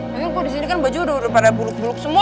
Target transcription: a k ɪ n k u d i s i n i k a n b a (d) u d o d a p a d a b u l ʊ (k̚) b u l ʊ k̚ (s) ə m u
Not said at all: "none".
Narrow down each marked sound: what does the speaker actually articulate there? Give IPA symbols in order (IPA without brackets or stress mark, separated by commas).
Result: d͡ʒ, k̚, s